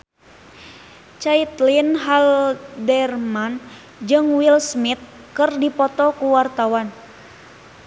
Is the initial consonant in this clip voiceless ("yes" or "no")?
yes